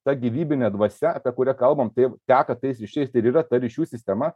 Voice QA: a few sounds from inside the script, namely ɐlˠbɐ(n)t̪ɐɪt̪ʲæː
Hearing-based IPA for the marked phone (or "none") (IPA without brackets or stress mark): m